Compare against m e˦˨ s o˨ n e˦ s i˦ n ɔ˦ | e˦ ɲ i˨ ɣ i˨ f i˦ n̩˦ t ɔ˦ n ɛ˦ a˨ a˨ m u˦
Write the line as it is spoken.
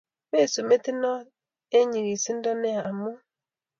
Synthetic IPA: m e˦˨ s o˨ m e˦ t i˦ n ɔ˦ | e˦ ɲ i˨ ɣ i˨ s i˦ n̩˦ d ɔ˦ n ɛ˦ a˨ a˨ m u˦